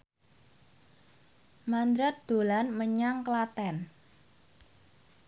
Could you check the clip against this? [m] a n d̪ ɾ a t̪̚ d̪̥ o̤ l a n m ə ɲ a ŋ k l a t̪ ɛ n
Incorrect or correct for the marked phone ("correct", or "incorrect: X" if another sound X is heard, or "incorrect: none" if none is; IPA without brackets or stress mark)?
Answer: correct